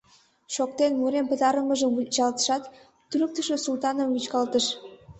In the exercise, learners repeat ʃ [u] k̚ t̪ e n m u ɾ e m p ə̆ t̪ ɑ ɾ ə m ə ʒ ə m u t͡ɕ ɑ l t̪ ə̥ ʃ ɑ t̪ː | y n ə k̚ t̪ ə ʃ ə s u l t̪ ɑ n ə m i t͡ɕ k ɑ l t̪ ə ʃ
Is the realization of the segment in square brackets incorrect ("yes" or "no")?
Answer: yes